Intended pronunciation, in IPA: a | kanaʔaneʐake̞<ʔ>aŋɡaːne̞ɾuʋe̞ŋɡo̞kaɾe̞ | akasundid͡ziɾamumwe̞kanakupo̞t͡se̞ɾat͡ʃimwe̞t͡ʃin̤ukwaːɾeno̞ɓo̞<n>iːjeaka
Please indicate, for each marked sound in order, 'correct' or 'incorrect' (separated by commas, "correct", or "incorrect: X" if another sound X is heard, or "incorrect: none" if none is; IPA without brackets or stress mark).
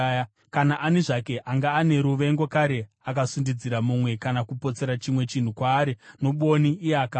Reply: correct, correct